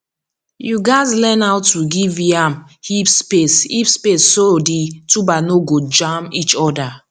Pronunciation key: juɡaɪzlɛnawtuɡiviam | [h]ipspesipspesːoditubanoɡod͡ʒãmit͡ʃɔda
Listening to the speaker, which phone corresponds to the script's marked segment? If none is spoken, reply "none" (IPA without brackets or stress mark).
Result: h